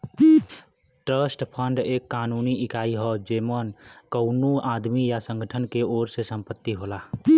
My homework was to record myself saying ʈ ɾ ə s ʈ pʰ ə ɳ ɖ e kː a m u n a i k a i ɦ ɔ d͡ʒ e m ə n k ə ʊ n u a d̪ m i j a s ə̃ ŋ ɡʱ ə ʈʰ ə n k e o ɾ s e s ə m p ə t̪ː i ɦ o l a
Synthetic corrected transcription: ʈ ɾ ə s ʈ pʰ ə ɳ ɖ e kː a n u n i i k a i ɦ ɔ d͡ʒ e m ə n k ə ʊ n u a d̪ m i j a s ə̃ ŋ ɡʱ ə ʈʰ ə n k e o ɾ s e s ə m p ə t̪ː i ɦ o l a